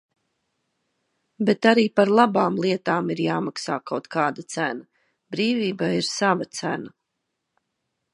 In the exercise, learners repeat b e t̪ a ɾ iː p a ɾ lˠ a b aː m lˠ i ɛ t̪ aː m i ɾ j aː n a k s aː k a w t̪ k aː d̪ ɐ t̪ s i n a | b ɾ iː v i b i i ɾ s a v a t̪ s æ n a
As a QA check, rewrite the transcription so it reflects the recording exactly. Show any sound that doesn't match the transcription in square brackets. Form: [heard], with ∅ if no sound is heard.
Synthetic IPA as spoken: b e t̪ a ɾ iː p a ɾ lˠ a b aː m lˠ i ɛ t̪ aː m i ɾ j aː [m] a k s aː k a w t̪ k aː d̪ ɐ t̪ s [æ] n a | b ɾ iː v [iː] b [a] i ɾ s a v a t̪ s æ n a